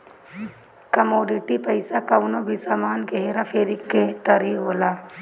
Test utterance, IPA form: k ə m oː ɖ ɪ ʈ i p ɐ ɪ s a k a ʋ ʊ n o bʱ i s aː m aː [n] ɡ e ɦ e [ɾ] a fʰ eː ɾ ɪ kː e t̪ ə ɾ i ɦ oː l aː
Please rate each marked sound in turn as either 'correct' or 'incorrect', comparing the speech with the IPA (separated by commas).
correct, correct